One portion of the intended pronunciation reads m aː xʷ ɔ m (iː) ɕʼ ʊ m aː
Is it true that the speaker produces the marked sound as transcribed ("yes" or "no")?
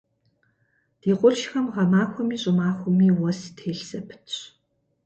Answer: yes